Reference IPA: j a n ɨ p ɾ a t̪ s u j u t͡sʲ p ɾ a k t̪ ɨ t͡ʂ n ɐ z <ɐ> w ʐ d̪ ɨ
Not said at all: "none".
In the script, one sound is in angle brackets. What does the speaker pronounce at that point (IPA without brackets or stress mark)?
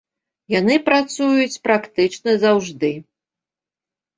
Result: a